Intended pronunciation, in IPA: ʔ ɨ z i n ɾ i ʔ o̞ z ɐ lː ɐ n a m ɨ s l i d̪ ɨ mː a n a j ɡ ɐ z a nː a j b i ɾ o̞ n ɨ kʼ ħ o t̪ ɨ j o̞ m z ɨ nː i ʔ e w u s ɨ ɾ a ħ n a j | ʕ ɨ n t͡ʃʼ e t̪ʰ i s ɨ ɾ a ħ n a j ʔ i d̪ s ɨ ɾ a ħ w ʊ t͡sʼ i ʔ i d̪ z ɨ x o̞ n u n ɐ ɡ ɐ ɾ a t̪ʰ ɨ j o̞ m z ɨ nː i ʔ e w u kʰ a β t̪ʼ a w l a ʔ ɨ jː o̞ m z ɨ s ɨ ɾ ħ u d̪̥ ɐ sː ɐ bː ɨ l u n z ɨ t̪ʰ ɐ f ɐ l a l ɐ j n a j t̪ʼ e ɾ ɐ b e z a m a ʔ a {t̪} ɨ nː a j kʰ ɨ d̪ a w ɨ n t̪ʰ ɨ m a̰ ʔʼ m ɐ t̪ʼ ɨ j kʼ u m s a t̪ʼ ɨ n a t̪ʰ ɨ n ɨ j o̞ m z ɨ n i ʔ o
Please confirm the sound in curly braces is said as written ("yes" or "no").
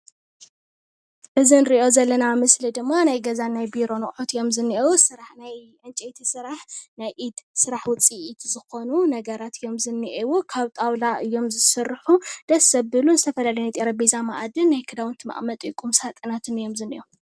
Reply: no